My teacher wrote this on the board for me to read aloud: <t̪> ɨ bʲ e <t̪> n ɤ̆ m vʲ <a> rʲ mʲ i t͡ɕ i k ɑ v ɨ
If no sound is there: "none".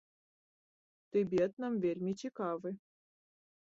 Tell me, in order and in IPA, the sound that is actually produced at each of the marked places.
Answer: t̪, t̪, e

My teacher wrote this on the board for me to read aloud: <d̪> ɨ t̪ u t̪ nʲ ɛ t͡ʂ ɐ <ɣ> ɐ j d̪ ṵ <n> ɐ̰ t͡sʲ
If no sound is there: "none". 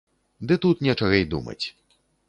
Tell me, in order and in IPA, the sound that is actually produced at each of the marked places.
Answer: d̪, ɣ, m

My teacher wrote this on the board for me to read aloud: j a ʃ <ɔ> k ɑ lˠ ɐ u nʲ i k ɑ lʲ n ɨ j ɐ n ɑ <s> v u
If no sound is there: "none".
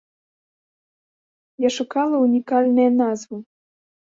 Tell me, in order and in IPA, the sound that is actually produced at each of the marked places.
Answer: u, z

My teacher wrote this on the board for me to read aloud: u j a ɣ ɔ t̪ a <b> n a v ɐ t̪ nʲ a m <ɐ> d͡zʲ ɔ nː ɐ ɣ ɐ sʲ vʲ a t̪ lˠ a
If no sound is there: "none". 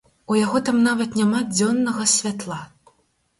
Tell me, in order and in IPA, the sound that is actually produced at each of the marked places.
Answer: m, a

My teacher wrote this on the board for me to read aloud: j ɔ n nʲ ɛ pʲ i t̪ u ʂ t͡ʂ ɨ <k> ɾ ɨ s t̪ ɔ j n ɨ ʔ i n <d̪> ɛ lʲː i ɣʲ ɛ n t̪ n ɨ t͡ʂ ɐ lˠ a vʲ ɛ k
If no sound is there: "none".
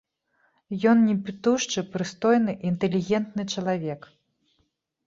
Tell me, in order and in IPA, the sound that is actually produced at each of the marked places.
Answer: p, t̪

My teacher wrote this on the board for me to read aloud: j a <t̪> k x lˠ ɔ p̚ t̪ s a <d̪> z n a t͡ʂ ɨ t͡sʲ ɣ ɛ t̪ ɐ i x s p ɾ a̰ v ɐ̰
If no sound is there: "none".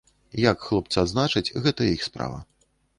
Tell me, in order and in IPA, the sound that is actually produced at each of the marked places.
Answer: none, d̪

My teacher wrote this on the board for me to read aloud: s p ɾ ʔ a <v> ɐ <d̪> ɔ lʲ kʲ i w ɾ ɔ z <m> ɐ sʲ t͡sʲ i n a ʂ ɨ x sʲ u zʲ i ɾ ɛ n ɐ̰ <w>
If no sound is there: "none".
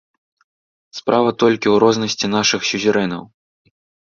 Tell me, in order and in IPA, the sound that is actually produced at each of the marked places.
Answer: v, t̪, n, w

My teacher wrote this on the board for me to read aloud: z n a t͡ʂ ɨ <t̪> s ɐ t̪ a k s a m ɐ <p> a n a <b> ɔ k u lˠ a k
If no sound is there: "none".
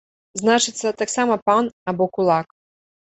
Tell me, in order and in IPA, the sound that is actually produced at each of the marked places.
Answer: t̪, p, b

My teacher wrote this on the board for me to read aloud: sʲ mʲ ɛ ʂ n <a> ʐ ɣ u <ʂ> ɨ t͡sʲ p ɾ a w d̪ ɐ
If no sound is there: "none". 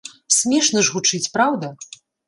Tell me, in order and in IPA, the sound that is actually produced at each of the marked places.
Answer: ɐ, t͡ʂ

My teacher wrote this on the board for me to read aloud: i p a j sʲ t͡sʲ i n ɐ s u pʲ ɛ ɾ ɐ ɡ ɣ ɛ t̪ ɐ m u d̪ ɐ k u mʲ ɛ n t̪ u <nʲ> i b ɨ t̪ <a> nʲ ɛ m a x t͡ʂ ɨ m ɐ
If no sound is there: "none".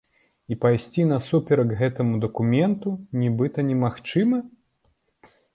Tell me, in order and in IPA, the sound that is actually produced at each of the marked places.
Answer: nʲ, ɐ

